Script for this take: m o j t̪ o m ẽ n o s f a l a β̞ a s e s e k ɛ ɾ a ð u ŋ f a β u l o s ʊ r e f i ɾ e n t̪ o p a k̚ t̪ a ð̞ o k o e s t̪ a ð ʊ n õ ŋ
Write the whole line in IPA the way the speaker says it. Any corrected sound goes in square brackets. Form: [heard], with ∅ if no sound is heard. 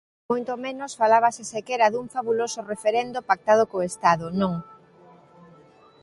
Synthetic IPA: m o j t̪ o m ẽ n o s f a l a β̞ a s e s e k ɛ ɾ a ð u ŋ f a β u l o s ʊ r e f [e] ɾ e n [d̪] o p a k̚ t̪ a ð̞ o k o e s t̪ a ð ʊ n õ ŋ